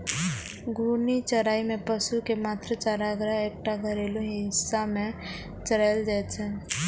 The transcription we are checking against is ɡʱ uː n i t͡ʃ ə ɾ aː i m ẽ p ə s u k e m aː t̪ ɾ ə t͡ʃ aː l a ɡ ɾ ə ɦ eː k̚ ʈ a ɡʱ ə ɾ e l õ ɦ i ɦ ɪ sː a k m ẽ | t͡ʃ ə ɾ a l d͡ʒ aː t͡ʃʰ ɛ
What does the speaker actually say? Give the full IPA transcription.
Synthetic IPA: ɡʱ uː n i t͡ʃ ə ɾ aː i m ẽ p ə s u k e m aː t̪ ɾ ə t͡ʃ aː ɾ a ɡ ɾ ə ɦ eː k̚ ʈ a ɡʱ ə ɾ e l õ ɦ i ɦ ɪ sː a m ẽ | t͡ʃ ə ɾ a l d͡ʒ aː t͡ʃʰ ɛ